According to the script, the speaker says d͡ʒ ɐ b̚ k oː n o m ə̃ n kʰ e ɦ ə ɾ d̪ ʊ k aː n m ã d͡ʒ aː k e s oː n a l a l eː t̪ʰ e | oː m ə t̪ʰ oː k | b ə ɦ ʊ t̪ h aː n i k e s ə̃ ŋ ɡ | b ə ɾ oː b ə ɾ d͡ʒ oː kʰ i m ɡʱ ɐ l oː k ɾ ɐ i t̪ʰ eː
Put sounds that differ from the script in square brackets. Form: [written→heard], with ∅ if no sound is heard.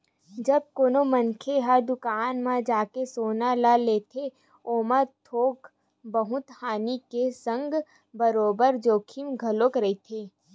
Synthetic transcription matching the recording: d͡ʒ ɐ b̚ k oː n o m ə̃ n kʰ e ɦ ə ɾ d̪ ʊ k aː n m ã d͡ʒ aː k e s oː n a l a l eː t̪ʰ e | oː m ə t̪ʰ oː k | b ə ɦ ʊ t̪ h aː n i k e s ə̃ ŋ ɡ | b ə ɾ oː b ə ɾ d͡ʒ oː kʰ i m ɡʱ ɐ l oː k ɾ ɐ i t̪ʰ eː

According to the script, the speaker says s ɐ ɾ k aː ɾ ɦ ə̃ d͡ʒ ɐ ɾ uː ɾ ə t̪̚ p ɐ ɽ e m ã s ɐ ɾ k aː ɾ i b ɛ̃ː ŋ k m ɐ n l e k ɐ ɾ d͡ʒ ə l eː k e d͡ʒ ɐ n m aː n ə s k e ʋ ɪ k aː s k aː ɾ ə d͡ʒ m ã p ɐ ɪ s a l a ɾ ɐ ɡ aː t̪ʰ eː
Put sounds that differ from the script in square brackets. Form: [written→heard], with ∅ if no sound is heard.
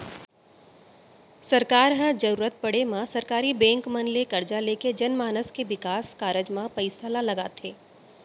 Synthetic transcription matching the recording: s ɐ ɾ k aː ɾ ɦ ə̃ d͡ʒ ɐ ɾ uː ɾ ə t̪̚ p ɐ ɽ e m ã s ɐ ɾ k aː ɾ i b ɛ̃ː ŋ k m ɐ n l e k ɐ ɾ d͡ʒ [ə→a] l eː k e d͡ʒ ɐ n m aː n ə s k e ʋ ɪ k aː s k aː ɾ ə d͡ʒ m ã p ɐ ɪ s a l a [ɾ→l] ɐ ɡ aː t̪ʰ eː

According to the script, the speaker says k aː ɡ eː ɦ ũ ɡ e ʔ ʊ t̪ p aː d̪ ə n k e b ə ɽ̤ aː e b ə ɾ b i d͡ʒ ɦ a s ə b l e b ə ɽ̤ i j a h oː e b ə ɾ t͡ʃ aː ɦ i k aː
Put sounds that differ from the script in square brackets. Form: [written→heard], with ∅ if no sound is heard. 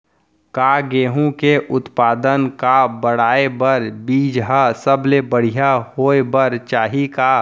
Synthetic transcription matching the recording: k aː ɡ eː ɦ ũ [ɡ→k] e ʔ ʊ t̪ p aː d̪ ə n k [e→a] b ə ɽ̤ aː e b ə ɾ b [i→iː] d͡ʒ ɦ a s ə b l e b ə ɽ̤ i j a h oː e b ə ɾ t͡ʃ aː ɦ i k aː

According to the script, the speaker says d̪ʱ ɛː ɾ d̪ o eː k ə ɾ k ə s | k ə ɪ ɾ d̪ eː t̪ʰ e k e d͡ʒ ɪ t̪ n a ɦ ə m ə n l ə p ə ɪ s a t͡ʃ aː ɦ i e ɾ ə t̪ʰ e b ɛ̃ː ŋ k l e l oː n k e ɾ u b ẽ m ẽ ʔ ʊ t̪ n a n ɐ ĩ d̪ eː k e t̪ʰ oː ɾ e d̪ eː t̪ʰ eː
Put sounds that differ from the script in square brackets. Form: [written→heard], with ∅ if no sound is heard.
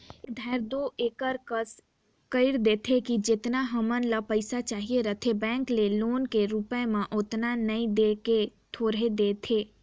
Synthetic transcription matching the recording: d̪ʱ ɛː ɾ d̪ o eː k ə ɾ k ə s | k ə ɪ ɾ d̪ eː t̪ʰ e k [e→i] d͡ʒ ɪ t̪ n a ɦ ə m ə n l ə p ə ɪ s a t͡ʃ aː ɦ i e ɾ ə t̪ʰ e b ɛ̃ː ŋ k l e l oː n k e ɾ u [b→p] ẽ m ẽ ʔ ʊ t̪ n a n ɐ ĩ d̪ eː k e t̪ʰ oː ɾ e d̪ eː t̪ʰ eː

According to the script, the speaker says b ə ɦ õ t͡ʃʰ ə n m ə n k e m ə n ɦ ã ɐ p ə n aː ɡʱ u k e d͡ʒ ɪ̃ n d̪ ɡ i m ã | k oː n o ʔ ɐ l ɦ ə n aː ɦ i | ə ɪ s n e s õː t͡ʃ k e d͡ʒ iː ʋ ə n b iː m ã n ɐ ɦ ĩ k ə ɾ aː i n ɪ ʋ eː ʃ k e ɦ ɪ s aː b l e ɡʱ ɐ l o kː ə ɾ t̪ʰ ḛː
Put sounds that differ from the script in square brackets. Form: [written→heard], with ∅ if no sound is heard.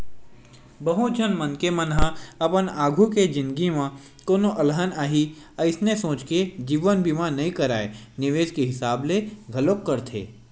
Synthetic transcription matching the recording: b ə ɦ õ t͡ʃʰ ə n m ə n k e m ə n ɦ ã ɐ p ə n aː ɡʱ u k e d͡ʒ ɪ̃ n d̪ ɡ i m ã | k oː n o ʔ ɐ l ɦ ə n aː ɦ i | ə ɪ s n e s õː t͡ʃ k e d͡ʒ iː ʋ ə n b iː m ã n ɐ ɦ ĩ k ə ɾ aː [i→e] n ɪ ʋ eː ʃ k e ɦ ɪ s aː b l e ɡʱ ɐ l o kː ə ɾ t̪ʰ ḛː

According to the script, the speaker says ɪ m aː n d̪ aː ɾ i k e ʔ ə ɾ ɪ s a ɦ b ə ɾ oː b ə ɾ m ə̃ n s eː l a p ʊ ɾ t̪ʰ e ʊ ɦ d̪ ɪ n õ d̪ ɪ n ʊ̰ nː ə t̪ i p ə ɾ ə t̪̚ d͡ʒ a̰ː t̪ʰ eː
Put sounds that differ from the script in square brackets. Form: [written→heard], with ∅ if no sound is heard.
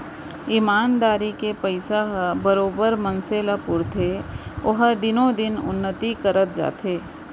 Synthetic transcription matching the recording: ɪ m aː n d̪ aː ɾ i k e [ʔ→p] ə [ɾ→∅] ɪ s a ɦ b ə ɾ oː b ə ɾ m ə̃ n s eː l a p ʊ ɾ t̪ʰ e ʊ ɦ d̪ ɪ n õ d̪ ɪ n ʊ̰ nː ə t̪ i [p→k] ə ɾ ə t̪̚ d͡ʒ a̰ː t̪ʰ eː

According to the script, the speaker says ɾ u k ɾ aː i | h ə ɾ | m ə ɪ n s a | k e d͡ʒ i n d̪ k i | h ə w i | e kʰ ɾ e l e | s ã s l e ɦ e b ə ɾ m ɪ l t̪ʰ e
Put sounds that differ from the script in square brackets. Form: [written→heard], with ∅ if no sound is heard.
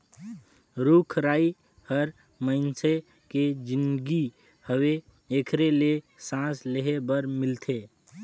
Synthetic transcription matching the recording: ɾ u [k→kʰ] ɾ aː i | h ə ɾ | m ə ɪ n s [a→e] | k e d͡ʒ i n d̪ [k→ɡ] i | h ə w [i→e] | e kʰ ɾ e l e | s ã s l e ɦ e b ə ɾ m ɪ l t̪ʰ e

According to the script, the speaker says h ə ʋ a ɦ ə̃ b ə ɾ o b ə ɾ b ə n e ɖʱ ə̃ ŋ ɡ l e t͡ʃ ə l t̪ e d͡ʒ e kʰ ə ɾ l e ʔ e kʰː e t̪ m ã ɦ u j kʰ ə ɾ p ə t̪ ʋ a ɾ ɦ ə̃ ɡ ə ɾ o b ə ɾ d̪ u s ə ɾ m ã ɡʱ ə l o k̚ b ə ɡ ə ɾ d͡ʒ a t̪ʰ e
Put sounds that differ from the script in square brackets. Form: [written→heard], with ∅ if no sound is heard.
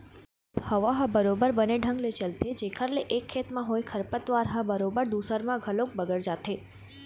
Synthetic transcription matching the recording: h ə ʋ a ɦ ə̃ b ə ɾ o b ə ɾ b ə n e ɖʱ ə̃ ŋ ɡ l e t͡ʃ ə l t̪ e d͡ʒ e kʰ ə ɾ l e ʔ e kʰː e t̪ m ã ɦ [u→o] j kʰ ə ɾ p ə t̪ ʋ a ɾ ɦ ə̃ [ɡ→b] ə ɾ o b ə ɾ d̪ u s ə ɾ m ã ɡʱ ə l o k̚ b ə ɡ ə ɾ d͡ʒ a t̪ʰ e

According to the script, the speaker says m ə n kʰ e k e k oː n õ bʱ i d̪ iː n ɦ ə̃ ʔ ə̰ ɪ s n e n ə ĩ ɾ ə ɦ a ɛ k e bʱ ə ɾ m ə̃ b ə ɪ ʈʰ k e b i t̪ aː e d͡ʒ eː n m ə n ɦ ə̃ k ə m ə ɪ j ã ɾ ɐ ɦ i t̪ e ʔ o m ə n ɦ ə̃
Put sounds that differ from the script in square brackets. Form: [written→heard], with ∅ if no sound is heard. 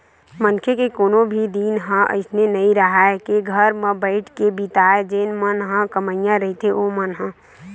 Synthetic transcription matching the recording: m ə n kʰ e k e k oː n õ bʱ i d̪ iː n ɦ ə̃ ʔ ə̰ ɪ s n e n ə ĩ ɾ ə ɦ a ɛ k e [bʱ→ɡʱ] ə ɾ m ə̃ b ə ɪ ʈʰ k e b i t̪ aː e d͡ʒ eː n m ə n ɦ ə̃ k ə m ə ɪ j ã ɾ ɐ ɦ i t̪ e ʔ o m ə n ɦ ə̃

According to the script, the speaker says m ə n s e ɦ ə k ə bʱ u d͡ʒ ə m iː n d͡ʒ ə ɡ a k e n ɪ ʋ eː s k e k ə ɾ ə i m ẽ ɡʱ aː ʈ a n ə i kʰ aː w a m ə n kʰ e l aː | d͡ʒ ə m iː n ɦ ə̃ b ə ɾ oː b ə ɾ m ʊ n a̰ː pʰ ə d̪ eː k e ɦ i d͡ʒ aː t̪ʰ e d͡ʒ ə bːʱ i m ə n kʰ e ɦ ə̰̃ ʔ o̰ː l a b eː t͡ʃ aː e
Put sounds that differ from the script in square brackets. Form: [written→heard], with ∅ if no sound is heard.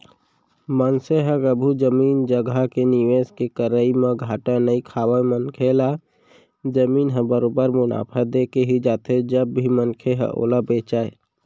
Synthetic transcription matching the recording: m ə n s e ɦ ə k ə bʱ u d͡ʒ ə m iː n d͡ʒ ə ɡ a k e n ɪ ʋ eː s k e k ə ɾ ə i m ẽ ɡʱ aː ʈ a n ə i kʰ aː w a m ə n kʰ e l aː | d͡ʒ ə m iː n ɦ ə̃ b ə ɾ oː b ə ɾ m ʊ n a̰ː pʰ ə d̪ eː k e ɦ i d͡ʒ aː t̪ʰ e d͡ʒ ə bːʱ i m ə n kʰ e ɦ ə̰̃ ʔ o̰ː l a b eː t͡ʃ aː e

